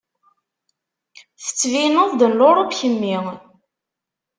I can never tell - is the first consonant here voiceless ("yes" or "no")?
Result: yes